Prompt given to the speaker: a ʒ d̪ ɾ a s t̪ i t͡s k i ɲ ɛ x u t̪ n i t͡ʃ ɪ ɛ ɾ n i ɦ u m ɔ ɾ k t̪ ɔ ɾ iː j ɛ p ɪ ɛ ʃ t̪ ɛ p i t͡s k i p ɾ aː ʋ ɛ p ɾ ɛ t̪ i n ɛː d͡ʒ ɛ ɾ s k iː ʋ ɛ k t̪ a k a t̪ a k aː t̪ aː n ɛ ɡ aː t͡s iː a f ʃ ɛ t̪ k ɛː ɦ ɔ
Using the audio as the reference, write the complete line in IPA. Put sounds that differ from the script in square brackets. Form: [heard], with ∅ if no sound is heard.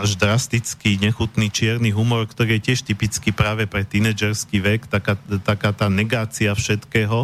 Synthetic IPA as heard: a ʒ d̪ ɾ a s t̪ i t͡s k i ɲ ɛ x u t̪ n i t͡ʃ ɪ ɛ ɾ n i ɦ u m ɔ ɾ k t̪ ɔ ɾ iː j ɛ [c] ɪ ɛ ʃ t̪ [i] p i t͡s k i p ɾ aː ʋ ɛ p ɾ ɛ t̪ i n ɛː d͡ʒ ɛ ɾ s k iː ʋ ɛ k t̪ a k a t̪ a k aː t̪ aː n ɛ ɡ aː t͡s [i] a f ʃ ɛ t̪ k ɛː ɦ ɔ